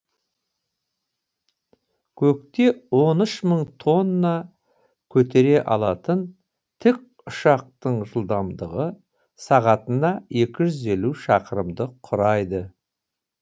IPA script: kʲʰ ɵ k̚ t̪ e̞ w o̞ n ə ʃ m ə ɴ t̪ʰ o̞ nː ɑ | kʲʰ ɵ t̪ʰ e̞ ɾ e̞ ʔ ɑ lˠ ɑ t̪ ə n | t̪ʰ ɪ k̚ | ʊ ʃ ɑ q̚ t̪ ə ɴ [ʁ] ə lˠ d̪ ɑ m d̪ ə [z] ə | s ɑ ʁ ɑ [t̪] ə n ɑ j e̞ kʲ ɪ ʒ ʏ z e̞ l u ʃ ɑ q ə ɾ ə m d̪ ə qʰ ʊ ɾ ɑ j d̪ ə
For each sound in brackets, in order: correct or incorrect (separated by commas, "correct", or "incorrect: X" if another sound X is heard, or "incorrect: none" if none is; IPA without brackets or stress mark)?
incorrect: ʒ, incorrect: ʁ, correct